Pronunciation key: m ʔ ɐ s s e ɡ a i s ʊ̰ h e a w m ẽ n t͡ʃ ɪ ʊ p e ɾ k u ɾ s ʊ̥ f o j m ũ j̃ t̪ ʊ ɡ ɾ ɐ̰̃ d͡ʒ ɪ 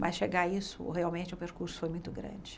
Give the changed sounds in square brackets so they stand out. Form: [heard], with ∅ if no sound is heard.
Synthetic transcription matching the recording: m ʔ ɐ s [ʃ] e ɡ a i s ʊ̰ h e a w m ẽ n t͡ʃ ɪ ʊ p e ɾ k u ɾ s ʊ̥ f o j m ũ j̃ t̪ ʊ ɡ ɾ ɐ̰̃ d͡ʒ ɪ